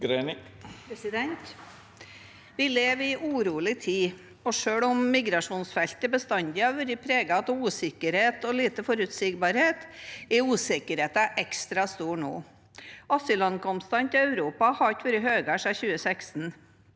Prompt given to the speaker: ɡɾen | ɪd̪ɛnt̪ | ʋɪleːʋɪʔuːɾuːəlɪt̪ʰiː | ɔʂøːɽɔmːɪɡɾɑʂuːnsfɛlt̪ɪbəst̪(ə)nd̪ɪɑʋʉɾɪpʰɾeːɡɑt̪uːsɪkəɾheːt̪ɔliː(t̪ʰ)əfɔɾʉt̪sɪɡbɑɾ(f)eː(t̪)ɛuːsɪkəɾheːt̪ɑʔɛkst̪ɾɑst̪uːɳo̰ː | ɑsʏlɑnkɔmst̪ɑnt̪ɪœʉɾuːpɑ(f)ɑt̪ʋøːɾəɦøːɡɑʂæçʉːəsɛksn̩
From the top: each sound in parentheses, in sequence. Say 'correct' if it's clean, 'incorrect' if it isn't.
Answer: incorrect: ɑ, incorrect: t̪, incorrect: h, correct, incorrect: h

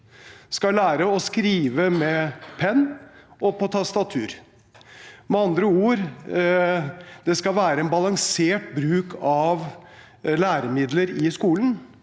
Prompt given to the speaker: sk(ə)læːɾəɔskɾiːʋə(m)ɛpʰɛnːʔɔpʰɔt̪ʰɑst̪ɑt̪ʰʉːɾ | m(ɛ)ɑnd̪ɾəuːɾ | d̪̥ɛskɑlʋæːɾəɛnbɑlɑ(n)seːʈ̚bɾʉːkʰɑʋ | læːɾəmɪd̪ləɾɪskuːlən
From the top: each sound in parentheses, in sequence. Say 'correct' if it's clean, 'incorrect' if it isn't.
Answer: incorrect: ɑ, correct, correct, incorrect: ŋ

